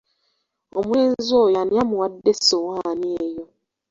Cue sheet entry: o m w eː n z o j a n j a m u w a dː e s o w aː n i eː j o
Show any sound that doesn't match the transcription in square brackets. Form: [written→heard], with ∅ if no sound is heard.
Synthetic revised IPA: o m w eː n z o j a n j a m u w a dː e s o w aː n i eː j o